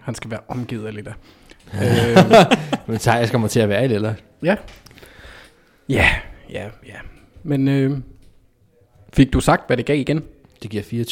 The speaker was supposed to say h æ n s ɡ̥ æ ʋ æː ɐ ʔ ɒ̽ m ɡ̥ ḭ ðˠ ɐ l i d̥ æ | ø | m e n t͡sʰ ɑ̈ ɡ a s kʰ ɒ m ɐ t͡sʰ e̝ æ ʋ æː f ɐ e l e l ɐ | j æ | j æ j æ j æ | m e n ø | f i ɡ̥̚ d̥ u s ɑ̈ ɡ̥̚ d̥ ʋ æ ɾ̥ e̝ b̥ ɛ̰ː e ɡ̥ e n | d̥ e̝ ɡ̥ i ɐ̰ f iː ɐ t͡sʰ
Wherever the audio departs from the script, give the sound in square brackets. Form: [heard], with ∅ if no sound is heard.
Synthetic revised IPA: h æ n s ɡ̥ æ ʋ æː ɐ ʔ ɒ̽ m ɡ̥ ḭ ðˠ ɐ l i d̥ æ | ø | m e n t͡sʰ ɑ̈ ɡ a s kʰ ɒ m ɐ t͡sʰ e̝ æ ʋ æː [∅] ɐ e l e l ɐ | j æ | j æ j æ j æ | m e n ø | f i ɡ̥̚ d̥ u s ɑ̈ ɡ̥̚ d̥ ʋ æ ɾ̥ e̝ [ɡ̥] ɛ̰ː [i] ɡ̥ e n | d̥ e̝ ɡ̥ i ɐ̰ f iː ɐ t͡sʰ